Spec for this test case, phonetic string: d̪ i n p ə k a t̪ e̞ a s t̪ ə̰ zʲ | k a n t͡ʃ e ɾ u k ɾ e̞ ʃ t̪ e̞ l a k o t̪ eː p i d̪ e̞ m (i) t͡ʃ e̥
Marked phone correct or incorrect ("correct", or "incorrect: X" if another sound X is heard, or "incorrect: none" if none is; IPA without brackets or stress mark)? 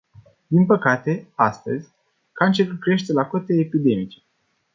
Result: correct